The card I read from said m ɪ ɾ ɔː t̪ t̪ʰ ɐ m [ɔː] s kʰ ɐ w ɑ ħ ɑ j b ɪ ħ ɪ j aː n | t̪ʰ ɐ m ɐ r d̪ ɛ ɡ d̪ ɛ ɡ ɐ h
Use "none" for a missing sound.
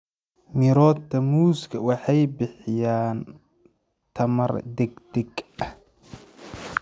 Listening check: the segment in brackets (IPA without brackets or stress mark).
uː